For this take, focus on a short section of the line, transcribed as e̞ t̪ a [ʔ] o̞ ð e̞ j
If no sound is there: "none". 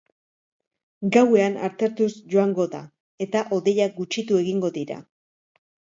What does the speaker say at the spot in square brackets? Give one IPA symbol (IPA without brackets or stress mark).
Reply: ʔ